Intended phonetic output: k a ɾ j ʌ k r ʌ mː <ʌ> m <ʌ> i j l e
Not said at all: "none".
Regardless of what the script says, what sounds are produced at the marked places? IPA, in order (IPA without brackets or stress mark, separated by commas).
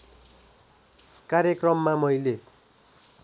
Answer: a, ʌ